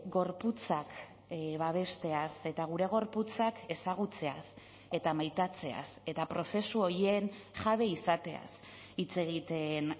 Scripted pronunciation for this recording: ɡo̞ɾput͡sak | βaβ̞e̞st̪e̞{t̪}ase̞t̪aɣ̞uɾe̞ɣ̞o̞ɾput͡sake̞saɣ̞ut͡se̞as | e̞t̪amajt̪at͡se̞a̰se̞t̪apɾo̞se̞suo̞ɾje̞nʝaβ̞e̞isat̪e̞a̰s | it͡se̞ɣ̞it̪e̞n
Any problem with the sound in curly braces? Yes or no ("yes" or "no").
yes